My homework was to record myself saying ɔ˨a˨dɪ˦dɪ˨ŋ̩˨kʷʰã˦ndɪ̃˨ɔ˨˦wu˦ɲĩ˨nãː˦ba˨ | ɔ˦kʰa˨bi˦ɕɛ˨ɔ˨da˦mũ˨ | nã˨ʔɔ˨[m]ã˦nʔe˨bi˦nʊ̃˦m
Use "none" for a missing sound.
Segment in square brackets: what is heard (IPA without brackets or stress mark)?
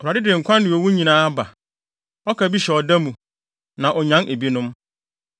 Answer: ɲ